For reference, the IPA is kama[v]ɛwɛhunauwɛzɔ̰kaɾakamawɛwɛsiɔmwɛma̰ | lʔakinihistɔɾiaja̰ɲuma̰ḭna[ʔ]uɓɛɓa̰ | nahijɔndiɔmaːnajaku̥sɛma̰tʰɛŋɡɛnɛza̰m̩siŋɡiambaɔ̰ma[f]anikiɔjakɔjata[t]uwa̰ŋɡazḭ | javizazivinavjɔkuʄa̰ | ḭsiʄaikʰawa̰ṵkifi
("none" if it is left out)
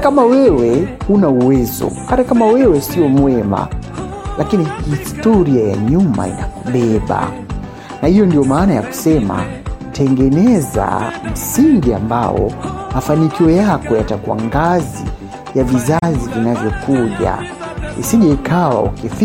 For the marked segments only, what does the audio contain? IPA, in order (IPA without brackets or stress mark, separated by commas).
w, k, f, k